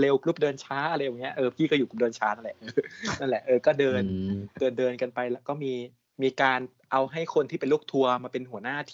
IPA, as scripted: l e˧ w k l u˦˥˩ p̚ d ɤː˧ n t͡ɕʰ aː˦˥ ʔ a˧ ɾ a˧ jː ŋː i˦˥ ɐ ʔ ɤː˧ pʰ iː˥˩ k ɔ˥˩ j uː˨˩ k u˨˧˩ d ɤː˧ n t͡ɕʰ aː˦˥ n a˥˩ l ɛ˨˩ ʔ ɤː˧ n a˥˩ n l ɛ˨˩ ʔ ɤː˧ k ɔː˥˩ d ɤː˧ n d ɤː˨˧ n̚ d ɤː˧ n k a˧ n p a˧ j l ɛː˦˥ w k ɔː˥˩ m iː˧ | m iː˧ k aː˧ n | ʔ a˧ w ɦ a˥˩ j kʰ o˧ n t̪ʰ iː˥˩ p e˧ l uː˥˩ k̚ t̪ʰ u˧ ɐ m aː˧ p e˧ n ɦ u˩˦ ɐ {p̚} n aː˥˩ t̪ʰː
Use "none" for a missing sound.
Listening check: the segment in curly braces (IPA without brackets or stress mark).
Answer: none